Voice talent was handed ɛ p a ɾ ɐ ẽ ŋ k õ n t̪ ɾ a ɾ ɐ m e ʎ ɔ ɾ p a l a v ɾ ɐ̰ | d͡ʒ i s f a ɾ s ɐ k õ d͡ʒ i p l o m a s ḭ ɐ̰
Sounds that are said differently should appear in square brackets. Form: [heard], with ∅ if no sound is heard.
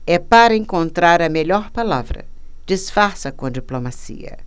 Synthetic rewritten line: ɛ p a ɾ ɐ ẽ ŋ k õ n t̪ ɾ a ɾ ɐ m e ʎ ɔ ɾ p a l a v ɾ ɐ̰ | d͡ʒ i s f a ɾ s ɐ k õ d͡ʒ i p l o m a s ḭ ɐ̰